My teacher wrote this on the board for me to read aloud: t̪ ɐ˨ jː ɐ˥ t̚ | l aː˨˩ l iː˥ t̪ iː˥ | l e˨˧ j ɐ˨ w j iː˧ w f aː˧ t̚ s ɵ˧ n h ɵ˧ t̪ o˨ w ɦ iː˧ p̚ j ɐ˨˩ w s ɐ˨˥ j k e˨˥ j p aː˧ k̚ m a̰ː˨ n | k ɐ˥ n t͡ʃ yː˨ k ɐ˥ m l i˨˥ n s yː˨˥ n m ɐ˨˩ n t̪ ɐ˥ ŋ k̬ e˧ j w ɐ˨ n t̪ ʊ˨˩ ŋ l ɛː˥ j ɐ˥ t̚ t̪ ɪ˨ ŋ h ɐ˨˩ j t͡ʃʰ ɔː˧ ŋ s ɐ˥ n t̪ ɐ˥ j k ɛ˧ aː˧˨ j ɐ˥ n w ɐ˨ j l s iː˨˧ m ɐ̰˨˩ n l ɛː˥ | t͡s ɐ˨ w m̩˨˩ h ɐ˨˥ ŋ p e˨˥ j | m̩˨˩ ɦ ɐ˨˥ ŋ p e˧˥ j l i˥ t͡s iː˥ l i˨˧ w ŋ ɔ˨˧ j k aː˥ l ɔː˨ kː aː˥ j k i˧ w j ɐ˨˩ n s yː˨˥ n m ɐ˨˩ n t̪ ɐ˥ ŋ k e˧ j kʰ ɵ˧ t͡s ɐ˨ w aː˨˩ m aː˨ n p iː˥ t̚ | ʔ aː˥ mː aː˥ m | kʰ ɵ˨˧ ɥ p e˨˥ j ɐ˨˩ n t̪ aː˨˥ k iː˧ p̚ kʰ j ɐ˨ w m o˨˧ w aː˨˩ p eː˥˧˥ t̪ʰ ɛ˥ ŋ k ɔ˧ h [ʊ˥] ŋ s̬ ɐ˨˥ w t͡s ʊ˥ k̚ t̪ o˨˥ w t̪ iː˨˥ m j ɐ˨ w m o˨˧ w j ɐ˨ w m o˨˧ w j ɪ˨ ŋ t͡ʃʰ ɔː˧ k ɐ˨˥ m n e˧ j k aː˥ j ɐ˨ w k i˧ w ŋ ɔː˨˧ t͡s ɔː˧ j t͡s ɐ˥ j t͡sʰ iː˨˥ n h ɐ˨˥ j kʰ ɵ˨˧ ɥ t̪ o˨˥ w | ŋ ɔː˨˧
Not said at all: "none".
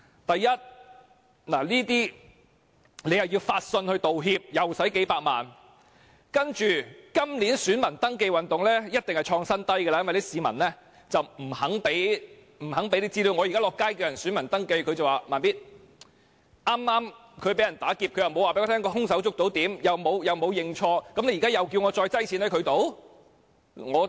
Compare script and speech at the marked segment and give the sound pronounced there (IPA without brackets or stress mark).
ʊ˥